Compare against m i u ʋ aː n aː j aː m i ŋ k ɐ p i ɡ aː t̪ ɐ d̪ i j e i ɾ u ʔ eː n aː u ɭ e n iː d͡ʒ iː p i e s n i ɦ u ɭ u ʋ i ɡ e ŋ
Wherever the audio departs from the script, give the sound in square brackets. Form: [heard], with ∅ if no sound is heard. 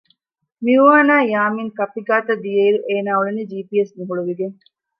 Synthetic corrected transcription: m i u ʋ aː n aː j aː m i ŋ k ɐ p i ɡ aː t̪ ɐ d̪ i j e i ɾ u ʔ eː n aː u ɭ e n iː d͡ʒ iː p i e s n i ɦ u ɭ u ʋ i ɡ e ŋ